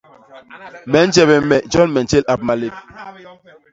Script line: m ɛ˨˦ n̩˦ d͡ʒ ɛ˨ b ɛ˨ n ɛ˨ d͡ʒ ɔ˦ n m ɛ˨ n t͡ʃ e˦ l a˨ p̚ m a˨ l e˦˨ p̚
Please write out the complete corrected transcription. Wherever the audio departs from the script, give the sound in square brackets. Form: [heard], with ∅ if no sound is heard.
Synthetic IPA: m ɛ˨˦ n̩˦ d͡ʒ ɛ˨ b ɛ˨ [m] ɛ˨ d͡ʒ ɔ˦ n m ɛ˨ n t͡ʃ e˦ l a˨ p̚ m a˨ l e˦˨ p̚